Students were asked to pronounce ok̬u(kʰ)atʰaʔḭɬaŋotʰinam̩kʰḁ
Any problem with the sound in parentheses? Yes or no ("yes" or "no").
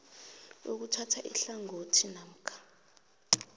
yes